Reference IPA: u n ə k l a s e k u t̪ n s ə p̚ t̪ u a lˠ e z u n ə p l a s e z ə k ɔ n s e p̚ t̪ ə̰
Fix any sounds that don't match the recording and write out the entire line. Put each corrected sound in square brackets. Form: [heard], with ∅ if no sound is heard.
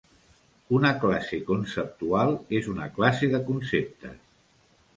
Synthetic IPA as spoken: u n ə k l a s e k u [∅] n s ə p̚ t̪ u a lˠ e z u n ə [k] l a s e [ð] ə k [u] n s e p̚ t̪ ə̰